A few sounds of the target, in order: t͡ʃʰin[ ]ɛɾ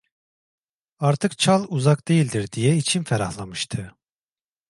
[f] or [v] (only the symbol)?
f